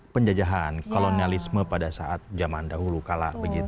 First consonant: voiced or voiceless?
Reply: voiceless